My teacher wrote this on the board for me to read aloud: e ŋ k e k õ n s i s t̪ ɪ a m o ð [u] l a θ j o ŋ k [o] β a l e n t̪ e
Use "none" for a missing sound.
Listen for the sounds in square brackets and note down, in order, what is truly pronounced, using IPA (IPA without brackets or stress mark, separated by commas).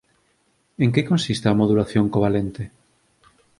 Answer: u, o